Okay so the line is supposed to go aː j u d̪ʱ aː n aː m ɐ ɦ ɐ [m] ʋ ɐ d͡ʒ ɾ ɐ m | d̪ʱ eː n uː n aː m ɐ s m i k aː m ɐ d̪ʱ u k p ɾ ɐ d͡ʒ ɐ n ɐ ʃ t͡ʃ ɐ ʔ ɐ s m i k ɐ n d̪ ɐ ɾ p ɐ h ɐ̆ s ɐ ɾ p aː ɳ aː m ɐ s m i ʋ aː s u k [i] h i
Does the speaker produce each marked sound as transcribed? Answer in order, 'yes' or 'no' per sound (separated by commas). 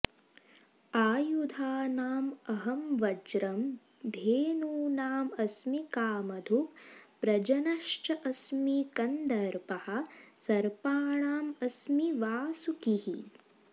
yes, yes